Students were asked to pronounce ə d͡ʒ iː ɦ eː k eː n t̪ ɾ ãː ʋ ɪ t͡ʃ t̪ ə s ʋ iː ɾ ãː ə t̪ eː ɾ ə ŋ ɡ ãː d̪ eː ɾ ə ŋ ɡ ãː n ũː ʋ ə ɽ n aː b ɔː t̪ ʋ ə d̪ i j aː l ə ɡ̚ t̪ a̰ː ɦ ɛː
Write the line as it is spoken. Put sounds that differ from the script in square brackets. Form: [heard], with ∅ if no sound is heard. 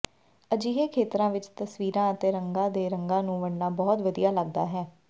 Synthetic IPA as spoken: ə d͡ʒ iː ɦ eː [kʰ] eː [∅] t̪ ɾ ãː ʋ ɪ t͡ʃ t̪ ə s ʋ iː ɾ ãː ə t̪ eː ɾ ə ŋ ɡ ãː d̪ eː ɾ ə ŋ ɡ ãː n ũː ʋ ə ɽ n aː b ɔː t̪ ʋ ə d̪ i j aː l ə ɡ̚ [d̪] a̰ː ɦ ɛː